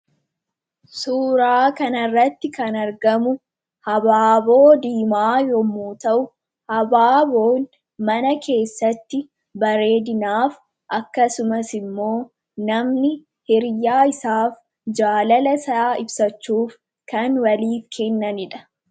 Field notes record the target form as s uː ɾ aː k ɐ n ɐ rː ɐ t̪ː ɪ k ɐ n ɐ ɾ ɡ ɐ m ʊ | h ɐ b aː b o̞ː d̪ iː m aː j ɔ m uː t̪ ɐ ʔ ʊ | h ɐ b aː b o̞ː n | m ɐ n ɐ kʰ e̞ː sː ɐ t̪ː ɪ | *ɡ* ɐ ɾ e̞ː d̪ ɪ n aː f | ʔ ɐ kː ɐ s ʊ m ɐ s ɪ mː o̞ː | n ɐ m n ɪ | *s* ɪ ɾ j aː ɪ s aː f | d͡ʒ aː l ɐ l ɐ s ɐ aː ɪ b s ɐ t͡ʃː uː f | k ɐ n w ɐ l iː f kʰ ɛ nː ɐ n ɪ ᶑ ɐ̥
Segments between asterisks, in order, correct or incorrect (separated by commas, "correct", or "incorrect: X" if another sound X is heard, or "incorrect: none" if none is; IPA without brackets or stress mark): incorrect: b, incorrect: h